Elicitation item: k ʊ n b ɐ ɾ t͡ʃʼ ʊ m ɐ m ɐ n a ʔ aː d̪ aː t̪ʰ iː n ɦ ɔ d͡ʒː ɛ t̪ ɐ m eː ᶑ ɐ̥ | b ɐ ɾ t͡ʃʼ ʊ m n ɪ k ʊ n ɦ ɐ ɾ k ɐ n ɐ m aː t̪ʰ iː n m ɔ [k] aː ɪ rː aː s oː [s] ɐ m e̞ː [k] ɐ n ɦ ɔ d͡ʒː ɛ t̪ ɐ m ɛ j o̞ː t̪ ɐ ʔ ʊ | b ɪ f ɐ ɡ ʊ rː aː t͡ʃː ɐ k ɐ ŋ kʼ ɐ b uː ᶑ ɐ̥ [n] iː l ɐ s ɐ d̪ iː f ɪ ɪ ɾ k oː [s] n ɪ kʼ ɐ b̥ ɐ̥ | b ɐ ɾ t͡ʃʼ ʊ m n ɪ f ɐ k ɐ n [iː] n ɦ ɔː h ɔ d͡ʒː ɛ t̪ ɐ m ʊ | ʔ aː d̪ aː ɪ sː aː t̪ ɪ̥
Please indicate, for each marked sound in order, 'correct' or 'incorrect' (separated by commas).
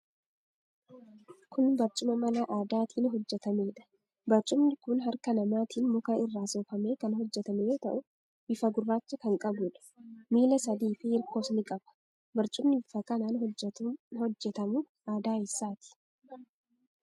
correct, incorrect, correct, incorrect, correct, incorrect